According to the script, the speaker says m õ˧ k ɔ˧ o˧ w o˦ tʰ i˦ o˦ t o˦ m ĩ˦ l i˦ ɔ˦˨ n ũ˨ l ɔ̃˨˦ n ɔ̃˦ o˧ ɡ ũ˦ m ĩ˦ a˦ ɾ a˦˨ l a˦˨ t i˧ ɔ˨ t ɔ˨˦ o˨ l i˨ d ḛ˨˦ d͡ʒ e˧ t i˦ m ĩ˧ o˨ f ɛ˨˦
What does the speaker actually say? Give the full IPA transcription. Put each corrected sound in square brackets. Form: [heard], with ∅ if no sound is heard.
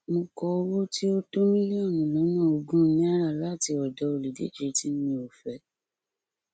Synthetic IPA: m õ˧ k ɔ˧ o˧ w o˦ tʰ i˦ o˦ t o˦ m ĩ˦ l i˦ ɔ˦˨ n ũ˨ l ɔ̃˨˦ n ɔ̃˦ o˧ ɡ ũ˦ [n] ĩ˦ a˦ ɾ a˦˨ l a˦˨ t i˧ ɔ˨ [d] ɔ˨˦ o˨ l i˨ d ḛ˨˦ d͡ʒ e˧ t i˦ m ĩ˧ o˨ f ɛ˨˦